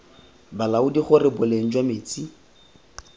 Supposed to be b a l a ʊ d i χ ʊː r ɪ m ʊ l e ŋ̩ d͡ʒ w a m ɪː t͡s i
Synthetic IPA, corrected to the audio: b a l a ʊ d i χ ʊ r ɪ b ʊ l e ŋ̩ d͡ʒ w a m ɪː t͡s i